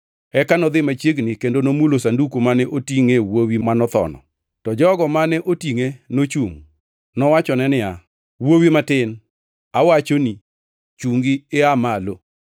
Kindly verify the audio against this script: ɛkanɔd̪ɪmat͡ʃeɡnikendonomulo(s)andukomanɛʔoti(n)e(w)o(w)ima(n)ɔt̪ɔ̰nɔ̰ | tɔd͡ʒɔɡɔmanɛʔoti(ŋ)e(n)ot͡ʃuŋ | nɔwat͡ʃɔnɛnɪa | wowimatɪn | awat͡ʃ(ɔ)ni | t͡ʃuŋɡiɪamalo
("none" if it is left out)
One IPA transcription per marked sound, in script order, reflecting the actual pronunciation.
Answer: s, ŋ, w, w, n, ŋ, n, o

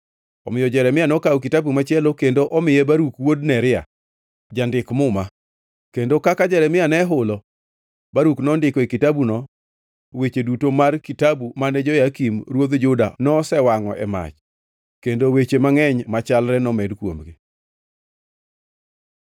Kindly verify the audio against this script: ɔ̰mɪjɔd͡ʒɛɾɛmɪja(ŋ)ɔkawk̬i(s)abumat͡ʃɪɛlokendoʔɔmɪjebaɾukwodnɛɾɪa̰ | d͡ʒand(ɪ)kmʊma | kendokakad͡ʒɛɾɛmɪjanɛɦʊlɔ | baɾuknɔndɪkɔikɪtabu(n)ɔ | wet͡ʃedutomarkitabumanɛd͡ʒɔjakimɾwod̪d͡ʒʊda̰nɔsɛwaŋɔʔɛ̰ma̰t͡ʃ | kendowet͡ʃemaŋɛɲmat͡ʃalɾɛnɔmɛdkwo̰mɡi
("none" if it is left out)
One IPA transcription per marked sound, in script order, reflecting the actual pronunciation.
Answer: n, t, ɪ, n

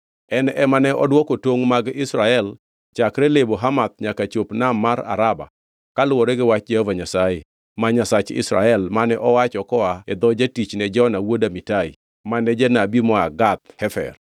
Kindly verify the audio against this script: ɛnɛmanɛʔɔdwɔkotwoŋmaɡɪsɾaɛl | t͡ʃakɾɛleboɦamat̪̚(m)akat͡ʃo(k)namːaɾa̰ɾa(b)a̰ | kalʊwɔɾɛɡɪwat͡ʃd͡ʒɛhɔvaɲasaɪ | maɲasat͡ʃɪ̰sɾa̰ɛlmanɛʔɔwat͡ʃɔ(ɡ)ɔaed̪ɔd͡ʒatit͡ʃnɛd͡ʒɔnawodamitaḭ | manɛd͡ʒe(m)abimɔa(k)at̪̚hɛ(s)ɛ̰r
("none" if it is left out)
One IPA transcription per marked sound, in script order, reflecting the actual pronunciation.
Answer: ɲ, p, b, k, n, ɡ, f

